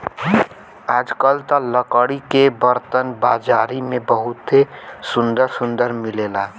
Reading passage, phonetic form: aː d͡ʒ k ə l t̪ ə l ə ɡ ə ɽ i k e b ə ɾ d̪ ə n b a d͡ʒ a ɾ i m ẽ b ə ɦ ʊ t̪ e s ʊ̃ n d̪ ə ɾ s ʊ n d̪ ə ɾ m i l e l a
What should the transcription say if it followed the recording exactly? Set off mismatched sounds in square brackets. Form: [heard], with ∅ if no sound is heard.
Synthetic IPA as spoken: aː d͡ʒ k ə l t̪ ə l ə [k] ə ɽ i k e b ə ɾ [t̪] ə n b a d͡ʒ a ɾ i m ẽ b ə ɦ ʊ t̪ e s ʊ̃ n d̪ ə ɾ s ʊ n d̪ ə ɾ m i l e l a